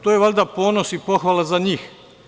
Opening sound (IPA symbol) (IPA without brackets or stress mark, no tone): t̪